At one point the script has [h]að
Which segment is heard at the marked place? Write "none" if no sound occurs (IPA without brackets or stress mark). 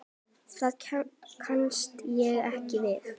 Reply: θ